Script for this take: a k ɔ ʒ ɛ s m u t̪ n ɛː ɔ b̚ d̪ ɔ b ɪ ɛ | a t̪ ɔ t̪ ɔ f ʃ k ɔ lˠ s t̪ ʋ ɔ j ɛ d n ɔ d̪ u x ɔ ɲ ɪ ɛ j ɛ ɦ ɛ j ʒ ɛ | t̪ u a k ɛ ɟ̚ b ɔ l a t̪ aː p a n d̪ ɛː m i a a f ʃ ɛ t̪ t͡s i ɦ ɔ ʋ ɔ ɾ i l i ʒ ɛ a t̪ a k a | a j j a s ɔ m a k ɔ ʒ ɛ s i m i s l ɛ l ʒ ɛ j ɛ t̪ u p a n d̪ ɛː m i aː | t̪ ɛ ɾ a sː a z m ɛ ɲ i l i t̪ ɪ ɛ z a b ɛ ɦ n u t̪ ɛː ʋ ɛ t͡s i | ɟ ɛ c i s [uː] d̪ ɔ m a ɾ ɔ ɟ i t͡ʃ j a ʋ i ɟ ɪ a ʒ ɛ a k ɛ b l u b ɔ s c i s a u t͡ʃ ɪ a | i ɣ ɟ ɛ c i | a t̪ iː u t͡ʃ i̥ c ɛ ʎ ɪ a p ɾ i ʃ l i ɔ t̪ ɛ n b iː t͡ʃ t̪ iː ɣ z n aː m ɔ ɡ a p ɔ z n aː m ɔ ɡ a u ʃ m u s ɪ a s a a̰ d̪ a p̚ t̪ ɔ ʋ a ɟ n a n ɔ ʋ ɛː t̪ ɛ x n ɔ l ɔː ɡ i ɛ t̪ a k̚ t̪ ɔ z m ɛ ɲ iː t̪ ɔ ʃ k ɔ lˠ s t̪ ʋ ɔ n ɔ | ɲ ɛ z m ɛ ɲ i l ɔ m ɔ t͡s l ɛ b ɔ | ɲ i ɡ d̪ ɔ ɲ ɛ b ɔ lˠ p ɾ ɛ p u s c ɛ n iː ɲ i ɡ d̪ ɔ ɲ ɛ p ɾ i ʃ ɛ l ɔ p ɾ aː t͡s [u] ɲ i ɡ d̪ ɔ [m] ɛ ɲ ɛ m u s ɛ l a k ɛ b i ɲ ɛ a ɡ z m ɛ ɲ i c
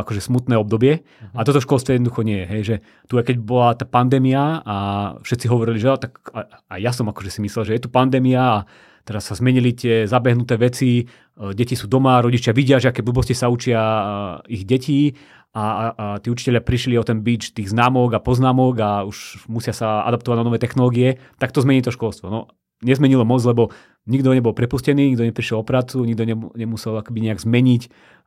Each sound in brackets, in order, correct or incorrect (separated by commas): correct, correct, incorrect